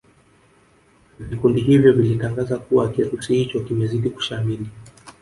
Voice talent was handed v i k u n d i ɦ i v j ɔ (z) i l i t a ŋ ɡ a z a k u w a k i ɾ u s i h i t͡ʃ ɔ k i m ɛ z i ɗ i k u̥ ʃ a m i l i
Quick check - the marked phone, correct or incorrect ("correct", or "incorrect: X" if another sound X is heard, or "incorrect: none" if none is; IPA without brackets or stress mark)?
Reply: incorrect: v